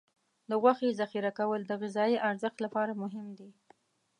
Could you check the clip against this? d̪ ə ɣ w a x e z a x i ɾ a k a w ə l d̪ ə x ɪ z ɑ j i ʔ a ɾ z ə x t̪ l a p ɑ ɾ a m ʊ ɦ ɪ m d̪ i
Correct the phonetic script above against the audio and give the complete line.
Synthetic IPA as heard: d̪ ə ɣ w a x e z a x i ɾ a k a w ə l d̪ ə ɣ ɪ z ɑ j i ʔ a ɾ z ə x t̪ l a p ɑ ɾ a m ʊ ɦ ɪ m d̪ i

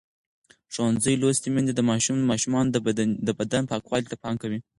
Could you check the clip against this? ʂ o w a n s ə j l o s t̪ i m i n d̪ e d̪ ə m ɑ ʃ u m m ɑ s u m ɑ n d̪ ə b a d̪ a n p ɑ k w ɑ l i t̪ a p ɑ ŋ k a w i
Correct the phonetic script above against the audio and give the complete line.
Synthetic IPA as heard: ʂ o w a n z ə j l o s t̪ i m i n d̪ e d̪ ə m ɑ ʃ u m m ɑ ʃ u m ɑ n d̪ ə b a d̪ a n p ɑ k w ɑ l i t̪ a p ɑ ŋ k a w i

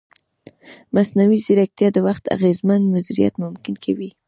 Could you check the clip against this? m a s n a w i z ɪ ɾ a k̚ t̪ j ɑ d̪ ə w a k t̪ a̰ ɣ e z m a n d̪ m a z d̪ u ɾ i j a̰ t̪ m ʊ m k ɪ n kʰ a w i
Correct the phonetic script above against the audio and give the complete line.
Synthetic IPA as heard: m a s n a w i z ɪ ɾ a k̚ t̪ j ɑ d̪ ə w a x t̪ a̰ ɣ e z m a n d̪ m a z d̪ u ɾ i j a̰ t̪ m ʊ m k ɪ n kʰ a w i

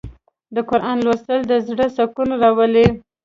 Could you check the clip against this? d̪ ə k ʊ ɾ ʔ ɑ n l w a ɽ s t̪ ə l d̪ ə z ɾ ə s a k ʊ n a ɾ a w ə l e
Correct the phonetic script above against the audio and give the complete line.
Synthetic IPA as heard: d̪ ə k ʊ ɾ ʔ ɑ n l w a s t̪ ə l d̪ ə z ɽ ə s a k u n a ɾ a w ə l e

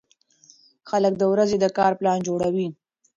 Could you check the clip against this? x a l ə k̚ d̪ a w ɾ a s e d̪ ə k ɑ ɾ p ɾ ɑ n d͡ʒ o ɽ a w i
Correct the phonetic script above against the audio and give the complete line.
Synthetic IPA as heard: x a l ə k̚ d̪ ə w ɾ a z e d̪ ə k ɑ ɾ p l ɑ n d͡ʒ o ɽ a w i

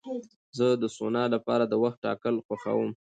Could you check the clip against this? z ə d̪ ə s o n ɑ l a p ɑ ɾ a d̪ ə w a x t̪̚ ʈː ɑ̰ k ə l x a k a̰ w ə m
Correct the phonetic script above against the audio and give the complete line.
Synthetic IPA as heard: z ə d̪ ə s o n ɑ l a p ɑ ɾ a d̪ ə w a x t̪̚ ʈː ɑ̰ k ə l x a x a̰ w ə m

